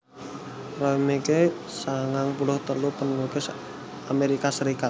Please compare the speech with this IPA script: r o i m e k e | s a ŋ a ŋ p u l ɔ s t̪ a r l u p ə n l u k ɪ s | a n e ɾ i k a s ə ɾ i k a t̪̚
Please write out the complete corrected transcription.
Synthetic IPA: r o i m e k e | s a ŋ a ŋ p u l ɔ h t̪ ə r l u p ə n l u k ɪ s | a m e ɾ i k a s ə ɾ i k a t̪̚